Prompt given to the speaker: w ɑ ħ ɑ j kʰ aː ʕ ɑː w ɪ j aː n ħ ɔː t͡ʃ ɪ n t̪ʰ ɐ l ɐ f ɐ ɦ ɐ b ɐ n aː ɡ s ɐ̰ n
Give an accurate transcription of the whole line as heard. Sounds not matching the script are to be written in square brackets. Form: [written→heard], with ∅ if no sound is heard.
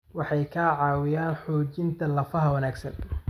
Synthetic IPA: w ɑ ħ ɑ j kʰ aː ʕ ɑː w ɪ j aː n ħ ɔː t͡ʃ ɪ n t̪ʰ ɐ l ɐ f ɐ ɦ ɐ [b→w] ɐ n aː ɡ s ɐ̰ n